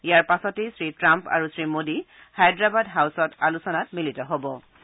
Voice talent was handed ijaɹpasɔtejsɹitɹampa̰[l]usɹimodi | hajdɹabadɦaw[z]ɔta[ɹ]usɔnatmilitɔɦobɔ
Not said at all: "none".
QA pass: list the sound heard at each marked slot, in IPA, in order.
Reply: ɹ, s, l

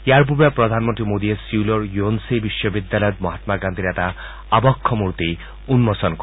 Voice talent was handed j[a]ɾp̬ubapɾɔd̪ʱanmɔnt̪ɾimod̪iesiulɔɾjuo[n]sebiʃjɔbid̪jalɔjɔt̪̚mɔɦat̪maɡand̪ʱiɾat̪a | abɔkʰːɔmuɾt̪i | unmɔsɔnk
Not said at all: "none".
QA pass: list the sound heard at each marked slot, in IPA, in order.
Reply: a, n

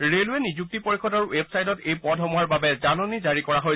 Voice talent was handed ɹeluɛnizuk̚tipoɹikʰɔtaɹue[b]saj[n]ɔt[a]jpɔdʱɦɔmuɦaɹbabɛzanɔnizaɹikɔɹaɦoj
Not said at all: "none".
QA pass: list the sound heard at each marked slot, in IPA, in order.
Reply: b, d, e

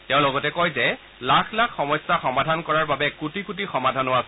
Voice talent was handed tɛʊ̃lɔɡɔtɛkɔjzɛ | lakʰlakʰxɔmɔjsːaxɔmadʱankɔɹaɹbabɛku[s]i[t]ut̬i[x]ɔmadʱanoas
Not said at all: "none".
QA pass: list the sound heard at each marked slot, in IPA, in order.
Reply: t, k, x

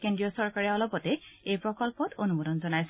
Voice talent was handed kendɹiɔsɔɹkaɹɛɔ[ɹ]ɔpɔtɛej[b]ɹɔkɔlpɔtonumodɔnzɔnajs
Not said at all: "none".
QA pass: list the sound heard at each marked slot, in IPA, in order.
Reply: l, p

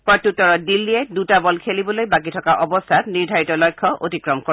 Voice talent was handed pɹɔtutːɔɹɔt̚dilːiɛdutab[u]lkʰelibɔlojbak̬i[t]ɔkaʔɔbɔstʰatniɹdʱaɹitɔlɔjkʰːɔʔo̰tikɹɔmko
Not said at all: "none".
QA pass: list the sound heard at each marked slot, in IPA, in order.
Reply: ɔ, tʰ

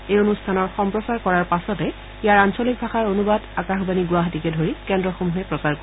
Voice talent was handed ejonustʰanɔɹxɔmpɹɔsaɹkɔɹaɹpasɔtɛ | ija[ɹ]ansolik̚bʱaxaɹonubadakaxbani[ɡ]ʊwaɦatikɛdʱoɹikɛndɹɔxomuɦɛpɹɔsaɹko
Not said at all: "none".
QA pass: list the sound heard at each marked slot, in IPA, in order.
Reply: ɹ, ɡ

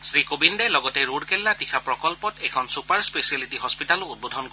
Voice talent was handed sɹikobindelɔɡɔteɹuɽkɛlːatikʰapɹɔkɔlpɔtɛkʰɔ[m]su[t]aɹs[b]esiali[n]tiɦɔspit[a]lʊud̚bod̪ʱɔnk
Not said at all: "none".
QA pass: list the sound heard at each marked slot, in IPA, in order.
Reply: n, p, p, none, a

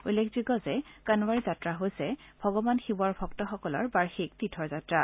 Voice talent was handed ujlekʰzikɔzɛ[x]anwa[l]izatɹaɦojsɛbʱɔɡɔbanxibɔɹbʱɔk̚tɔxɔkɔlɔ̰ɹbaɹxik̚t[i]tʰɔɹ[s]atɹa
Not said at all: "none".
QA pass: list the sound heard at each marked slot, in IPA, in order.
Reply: k, ɹ, i, z

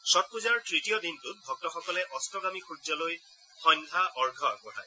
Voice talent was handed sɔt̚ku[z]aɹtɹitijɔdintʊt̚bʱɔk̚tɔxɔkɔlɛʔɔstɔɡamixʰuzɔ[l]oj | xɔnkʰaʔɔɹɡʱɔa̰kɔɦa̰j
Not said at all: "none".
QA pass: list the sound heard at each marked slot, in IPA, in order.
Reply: z, l

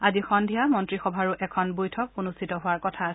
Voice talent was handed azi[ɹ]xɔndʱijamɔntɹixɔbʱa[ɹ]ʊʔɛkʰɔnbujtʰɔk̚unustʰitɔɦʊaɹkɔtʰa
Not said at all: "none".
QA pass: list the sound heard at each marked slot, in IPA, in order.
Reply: none, ɹ

